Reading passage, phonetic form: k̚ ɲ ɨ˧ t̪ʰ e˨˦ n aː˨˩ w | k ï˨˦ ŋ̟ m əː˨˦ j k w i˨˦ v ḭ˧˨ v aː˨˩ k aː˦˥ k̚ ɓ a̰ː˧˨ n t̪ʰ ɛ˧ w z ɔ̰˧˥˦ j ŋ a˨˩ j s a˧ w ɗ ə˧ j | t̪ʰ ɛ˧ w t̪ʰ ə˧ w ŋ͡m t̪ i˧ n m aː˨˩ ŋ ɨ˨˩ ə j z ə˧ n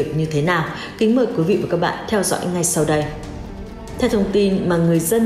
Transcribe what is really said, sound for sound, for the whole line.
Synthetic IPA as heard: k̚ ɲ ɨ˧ t̪ʰ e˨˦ n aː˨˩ w | k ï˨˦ ŋ̟ m əː˧˩ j k w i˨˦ v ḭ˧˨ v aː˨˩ k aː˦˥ k̚ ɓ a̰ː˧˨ n t̪ʰ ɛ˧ w z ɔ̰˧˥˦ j ŋ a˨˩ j s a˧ w ɗ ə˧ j | t̪ʰ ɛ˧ w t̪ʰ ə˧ w ŋ͡m t̪ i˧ n m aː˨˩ ŋ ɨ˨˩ ə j z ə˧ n